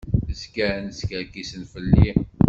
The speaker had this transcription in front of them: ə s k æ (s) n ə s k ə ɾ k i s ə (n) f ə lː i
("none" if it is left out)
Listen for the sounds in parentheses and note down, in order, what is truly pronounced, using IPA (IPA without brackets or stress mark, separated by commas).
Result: none, n